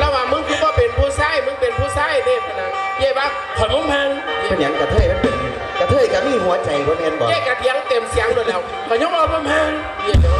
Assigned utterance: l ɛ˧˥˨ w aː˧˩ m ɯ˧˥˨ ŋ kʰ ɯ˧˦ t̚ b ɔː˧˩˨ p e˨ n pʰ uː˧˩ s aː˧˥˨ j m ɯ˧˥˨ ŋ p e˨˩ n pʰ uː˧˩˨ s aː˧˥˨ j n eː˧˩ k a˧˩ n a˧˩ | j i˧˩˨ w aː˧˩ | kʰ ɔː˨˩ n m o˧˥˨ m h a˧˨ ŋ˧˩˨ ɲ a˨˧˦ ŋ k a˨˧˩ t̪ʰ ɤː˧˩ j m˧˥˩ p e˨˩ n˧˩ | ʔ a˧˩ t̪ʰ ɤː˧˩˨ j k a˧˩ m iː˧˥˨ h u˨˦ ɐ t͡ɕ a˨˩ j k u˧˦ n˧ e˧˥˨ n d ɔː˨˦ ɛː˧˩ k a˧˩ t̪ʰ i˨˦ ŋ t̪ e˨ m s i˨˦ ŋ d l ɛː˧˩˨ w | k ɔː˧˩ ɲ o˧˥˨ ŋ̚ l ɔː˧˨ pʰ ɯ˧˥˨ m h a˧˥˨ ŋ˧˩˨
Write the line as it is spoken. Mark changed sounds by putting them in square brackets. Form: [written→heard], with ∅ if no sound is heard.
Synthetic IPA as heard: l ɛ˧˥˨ w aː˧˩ m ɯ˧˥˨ ŋ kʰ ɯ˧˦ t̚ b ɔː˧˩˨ p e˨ n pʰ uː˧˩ s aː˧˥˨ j m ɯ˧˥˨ ŋ p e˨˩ n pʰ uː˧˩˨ s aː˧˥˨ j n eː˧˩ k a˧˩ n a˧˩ | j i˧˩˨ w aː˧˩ | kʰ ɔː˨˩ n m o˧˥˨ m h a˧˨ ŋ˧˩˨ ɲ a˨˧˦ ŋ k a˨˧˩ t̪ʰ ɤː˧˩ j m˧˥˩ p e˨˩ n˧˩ | [ʔ→k] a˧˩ t̪ʰ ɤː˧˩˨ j k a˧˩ m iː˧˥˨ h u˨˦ ɐ t͡ɕ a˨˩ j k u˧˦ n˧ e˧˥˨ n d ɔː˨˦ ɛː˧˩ k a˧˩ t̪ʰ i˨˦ ŋ t̪ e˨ m s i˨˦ ŋ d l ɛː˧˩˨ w | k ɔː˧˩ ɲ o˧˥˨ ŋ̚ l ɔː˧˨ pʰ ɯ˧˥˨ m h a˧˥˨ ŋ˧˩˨